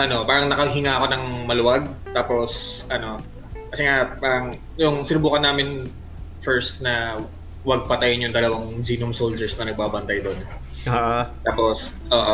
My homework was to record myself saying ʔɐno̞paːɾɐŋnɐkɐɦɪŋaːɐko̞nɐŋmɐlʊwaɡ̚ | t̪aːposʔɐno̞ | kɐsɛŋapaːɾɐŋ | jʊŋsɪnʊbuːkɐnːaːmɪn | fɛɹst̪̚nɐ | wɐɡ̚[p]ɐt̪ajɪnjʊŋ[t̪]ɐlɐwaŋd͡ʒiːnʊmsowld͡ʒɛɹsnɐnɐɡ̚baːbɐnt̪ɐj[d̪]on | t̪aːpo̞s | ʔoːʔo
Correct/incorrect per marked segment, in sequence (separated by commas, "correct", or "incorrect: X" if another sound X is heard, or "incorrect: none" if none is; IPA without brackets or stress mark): correct, incorrect: d̪, correct